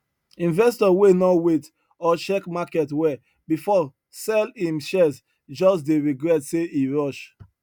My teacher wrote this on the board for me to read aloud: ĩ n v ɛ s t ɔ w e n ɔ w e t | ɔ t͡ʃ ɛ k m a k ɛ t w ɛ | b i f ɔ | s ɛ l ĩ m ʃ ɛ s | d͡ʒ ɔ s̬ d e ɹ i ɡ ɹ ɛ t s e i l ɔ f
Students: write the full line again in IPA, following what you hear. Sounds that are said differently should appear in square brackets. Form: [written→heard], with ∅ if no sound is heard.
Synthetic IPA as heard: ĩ n v ɛ s t ɔ w e n ɔ w e t | ɔ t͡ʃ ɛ k m a k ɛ t w ɛ | b i f ɔ | s ɛ l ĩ m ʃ ɛ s | d͡ʒ ɔ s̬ d e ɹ i ɡ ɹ ɛ t s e i [l→ɹ] ɔ [f→ʃ]